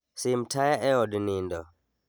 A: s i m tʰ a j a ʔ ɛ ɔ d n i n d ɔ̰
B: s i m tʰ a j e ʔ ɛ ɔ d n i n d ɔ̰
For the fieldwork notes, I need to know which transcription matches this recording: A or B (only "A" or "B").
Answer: A